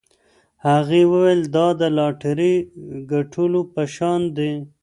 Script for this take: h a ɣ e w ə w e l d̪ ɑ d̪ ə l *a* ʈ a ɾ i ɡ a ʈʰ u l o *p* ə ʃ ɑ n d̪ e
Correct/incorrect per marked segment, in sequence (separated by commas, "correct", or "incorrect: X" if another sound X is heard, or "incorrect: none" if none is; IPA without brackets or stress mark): incorrect: ɑ, correct